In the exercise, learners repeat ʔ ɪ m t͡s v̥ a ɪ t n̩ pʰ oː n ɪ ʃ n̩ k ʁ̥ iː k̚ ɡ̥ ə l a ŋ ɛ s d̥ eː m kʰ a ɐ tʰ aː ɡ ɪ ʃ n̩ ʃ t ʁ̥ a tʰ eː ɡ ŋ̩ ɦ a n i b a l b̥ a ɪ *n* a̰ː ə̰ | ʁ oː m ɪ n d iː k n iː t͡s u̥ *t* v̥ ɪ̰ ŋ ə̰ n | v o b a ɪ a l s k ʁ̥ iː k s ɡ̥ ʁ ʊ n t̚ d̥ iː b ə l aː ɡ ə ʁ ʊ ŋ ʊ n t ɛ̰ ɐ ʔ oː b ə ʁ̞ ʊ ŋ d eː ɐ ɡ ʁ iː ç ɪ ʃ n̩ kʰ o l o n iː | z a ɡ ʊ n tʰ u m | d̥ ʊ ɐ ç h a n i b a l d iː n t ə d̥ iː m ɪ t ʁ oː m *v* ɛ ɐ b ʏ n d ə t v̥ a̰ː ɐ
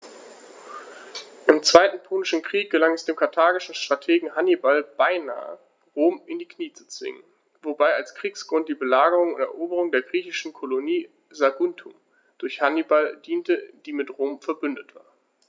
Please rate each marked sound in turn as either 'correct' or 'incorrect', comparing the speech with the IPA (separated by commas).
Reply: correct, incorrect, incorrect